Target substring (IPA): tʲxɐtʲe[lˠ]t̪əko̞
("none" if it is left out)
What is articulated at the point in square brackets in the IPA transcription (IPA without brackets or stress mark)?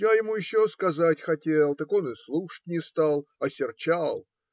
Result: lˠ